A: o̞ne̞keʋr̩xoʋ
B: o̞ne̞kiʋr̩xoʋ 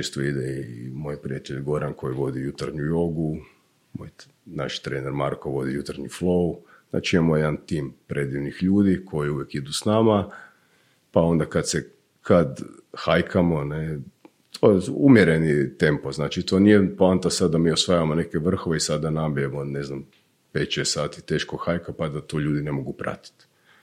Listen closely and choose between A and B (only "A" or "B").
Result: A